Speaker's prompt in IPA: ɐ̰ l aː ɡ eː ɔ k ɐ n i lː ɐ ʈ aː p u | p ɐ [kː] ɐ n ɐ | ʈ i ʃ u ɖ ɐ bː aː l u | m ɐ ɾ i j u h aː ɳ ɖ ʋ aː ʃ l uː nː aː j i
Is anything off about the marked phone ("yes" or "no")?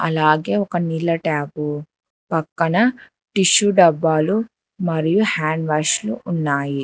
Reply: no